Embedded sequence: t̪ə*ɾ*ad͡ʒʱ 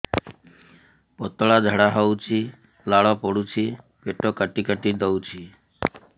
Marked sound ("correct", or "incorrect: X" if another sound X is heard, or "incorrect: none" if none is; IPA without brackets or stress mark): incorrect: ɭ